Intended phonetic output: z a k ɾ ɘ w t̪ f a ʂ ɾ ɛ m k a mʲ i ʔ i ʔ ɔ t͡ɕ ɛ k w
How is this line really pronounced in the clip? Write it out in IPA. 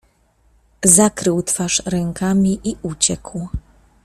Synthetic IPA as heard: z a k ɾ ɘ w t̪ f a ʂ ɾ ɛ ŋ k a mʲ i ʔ i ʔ u t͡ɕ ɛ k w